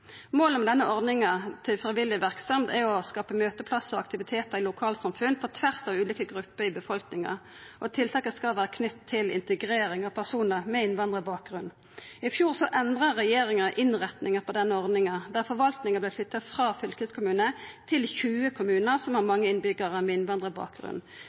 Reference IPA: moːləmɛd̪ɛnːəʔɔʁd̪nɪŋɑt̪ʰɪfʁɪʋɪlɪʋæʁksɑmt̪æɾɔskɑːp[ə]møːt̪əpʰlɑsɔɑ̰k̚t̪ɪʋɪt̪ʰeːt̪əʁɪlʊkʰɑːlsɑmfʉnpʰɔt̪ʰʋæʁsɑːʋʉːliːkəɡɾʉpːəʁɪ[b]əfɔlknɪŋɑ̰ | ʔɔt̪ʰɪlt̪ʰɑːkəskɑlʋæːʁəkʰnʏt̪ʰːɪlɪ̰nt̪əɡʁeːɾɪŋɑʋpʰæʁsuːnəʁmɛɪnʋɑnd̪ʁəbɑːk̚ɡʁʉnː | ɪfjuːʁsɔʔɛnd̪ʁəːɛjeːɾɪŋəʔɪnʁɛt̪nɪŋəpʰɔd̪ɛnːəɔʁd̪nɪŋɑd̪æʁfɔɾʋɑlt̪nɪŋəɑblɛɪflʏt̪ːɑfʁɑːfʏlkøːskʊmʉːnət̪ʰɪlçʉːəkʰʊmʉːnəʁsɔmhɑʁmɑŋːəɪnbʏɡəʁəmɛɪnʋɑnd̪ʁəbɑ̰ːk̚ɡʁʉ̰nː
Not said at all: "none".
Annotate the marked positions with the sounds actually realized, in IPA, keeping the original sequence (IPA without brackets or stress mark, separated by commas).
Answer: ə, b